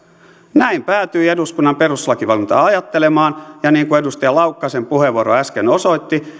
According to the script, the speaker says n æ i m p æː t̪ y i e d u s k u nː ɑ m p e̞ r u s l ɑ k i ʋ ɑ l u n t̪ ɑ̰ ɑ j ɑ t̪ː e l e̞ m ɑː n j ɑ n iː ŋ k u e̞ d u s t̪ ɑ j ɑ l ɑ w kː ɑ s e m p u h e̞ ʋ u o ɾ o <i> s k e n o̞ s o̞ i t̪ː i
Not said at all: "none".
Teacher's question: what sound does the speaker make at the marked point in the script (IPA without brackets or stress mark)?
æ